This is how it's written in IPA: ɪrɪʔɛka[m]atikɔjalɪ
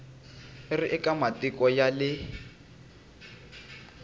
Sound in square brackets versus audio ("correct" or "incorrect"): correct